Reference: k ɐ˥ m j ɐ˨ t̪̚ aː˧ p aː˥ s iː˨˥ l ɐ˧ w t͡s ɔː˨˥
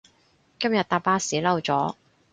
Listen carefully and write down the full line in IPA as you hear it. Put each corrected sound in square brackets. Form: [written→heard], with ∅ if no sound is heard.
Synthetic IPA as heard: k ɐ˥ m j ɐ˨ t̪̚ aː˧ p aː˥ s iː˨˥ l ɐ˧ w t͡s ɔː˨˥